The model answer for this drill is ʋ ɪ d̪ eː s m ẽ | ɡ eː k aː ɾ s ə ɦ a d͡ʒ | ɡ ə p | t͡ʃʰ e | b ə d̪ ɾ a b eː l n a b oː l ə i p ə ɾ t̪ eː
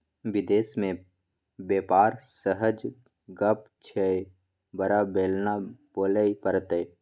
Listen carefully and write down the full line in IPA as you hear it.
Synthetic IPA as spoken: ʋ ɪ d̪ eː s m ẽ | b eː p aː ɾ s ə ɦ ə d͡ʒ | ɡ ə p | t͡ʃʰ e | b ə ɾ a b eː l n a b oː l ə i p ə ɾ t̪ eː